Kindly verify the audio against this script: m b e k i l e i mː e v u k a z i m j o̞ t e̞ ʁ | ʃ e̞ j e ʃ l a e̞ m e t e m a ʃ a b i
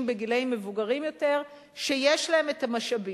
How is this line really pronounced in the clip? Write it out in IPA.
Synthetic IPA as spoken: m b e ɡ i l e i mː e v u ɡ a ʁ i m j o̞ t e̞ ʁ | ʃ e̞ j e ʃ l a e̞ m e t a m a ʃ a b i